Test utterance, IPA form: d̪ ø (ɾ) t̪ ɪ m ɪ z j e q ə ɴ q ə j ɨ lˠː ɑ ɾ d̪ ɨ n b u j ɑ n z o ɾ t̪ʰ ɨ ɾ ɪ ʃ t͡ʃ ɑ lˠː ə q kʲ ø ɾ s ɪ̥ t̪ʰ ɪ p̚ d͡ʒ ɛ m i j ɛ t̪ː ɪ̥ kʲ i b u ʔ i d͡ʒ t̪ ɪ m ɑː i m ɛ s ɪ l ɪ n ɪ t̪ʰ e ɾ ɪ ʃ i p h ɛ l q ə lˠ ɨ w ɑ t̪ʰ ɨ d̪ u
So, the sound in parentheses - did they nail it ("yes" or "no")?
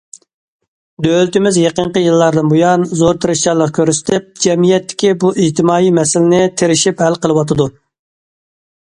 no